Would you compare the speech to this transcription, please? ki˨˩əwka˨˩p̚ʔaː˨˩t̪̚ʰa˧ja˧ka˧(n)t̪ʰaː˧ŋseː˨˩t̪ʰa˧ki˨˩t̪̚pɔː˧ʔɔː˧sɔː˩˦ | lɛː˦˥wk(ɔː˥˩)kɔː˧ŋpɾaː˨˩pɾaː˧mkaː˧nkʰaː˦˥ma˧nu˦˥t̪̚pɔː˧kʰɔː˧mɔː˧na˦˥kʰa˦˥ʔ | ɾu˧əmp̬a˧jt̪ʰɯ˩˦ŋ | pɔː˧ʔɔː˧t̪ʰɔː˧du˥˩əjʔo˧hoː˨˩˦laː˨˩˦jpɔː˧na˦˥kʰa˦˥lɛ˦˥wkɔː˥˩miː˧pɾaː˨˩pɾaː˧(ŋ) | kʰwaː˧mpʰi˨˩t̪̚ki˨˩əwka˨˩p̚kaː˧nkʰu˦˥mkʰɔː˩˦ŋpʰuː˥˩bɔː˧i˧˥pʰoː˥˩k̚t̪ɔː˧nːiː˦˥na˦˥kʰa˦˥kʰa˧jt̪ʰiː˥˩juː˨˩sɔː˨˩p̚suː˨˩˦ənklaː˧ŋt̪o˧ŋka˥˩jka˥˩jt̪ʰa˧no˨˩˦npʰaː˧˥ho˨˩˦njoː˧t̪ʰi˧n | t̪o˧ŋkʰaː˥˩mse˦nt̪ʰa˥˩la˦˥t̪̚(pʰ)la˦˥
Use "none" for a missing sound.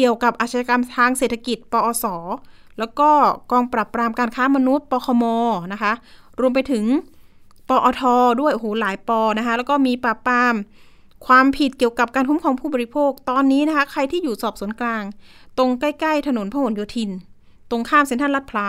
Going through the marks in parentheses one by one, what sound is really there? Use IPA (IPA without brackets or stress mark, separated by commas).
m, ɔː˥˩, m, pʰ